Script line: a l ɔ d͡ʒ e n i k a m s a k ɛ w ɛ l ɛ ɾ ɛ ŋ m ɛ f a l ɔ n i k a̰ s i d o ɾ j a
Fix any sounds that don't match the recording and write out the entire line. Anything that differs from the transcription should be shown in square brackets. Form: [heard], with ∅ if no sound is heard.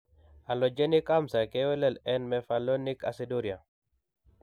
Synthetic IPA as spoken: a l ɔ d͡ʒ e n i k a m s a k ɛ w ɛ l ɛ [l] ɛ [n] m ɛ f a l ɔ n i k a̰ s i d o ɾ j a